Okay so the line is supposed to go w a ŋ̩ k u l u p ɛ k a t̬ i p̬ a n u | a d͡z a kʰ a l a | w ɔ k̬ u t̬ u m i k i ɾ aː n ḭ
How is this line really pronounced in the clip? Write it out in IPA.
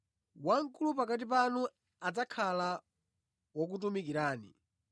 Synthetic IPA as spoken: w a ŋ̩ k u l u p a k a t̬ i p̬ a n u | a d͡z a kʰ a l a | w ɔ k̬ u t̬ u m i k i ɾ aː n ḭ